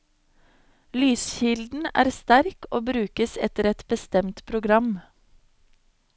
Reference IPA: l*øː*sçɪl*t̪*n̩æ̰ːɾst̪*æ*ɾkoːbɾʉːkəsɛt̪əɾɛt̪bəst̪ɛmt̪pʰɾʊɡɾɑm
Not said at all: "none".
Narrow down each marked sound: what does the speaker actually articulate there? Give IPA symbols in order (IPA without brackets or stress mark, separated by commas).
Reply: yː, d̪, æ